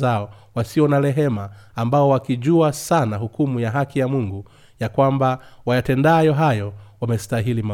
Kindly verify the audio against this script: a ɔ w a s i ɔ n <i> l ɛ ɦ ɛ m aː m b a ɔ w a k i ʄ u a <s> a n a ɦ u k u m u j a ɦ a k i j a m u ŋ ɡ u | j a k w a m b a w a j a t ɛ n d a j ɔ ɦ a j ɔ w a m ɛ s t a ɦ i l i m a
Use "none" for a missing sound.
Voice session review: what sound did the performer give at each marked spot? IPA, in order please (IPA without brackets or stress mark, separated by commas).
a, s